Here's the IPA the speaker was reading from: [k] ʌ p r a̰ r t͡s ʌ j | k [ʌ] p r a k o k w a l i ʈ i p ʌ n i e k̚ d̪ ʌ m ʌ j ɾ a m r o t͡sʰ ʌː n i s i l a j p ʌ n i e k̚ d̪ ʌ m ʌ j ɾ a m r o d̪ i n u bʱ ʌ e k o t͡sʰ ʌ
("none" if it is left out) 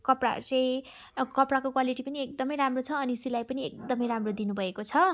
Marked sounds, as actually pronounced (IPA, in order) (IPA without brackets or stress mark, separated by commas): k, ʌ